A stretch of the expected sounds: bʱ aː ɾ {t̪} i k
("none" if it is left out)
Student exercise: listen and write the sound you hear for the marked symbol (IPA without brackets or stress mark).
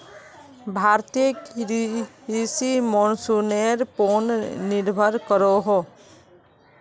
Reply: t̪